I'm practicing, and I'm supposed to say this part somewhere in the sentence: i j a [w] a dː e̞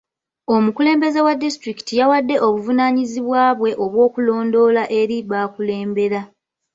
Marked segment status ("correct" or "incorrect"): correct